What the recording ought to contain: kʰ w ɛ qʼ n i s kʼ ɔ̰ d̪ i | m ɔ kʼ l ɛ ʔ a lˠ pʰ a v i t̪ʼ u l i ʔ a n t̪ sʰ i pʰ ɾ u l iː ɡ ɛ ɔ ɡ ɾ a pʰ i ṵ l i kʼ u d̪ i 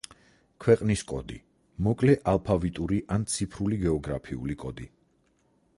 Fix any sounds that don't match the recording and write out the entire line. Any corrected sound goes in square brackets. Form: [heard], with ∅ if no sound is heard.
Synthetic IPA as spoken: kʰ w ɛ qʼ n i s kʼ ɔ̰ d̪ i | m ɔ kʼ l ɛ ʔ a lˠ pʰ a v i t̪ʼ u [ɾ] i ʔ a n t̪ sʰ i pʰ ɾ u l [i] ɡ ɛ ɔ ɡ ɾ a pʰ i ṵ l i kʼ [ɔ] d̪ i